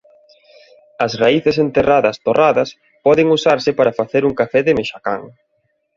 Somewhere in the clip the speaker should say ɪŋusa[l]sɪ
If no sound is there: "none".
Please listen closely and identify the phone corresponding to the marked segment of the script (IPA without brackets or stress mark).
ɾ